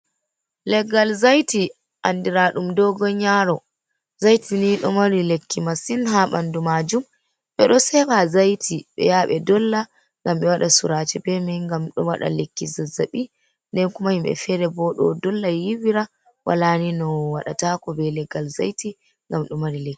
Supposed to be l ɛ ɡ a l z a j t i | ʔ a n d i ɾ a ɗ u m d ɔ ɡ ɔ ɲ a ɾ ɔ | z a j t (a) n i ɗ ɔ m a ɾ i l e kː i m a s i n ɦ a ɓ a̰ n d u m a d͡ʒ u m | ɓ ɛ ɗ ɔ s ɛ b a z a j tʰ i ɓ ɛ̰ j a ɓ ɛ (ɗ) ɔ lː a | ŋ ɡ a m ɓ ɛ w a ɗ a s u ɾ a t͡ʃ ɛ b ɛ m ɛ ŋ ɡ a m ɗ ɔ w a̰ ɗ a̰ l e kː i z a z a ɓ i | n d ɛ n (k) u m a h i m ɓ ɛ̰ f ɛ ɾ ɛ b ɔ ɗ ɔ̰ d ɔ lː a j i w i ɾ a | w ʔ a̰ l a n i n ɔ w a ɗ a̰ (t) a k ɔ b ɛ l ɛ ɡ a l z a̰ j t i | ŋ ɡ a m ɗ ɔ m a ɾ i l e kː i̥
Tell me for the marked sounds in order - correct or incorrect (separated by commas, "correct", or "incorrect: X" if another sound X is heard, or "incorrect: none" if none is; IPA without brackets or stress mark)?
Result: incorrect: i, incorrect: d, correct, correct